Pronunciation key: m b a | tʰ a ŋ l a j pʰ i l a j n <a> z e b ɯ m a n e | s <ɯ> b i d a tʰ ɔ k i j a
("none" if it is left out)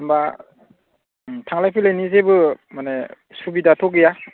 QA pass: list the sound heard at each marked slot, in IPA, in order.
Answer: i, u

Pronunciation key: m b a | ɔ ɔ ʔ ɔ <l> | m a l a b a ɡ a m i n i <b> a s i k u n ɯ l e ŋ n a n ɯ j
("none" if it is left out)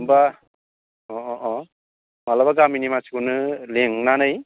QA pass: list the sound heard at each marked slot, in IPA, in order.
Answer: none, m

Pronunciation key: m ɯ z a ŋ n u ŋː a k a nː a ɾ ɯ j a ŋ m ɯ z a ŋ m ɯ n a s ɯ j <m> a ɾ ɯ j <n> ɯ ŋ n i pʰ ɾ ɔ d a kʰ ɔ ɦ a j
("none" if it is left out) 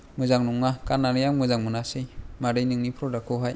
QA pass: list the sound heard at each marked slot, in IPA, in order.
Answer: m, n

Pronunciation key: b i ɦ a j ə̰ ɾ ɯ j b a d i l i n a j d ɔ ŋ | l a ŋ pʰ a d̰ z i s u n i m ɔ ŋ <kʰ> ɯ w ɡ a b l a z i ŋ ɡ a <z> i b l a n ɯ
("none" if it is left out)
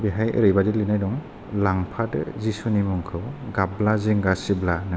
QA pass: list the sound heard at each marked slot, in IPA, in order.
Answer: kʰ, s

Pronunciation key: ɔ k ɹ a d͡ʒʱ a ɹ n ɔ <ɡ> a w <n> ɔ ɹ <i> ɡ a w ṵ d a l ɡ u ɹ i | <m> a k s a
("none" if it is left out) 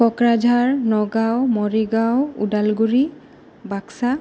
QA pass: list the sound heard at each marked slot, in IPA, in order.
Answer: ɡ, m, i, b

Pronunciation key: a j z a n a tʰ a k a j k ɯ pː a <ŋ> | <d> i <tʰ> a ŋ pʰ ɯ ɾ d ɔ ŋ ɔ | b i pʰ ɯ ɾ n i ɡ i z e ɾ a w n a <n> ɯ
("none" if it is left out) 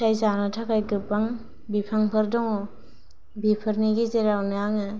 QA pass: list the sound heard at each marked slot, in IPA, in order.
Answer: ŋ, b, pʰ, ŋ

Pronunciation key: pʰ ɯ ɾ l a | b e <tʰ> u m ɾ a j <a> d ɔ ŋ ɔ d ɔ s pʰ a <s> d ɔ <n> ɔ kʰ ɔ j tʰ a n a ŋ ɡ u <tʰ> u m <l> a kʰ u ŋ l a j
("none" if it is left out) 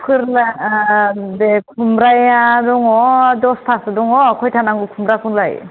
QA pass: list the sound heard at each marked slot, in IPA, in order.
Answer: kʰ, a, s, ŋ, kʰ, ɾ

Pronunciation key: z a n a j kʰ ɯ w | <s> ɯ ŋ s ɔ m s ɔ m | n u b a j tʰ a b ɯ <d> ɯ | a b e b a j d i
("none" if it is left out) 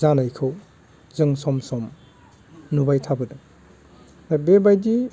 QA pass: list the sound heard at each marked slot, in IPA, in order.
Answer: z, d

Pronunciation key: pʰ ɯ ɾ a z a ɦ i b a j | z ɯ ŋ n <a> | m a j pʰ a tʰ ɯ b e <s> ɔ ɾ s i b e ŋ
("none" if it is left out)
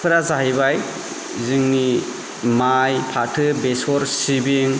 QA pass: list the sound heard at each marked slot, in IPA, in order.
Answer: i, s

